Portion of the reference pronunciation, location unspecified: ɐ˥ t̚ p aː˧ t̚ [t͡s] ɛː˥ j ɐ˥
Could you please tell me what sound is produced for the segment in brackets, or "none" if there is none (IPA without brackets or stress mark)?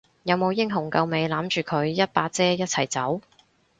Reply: t͡s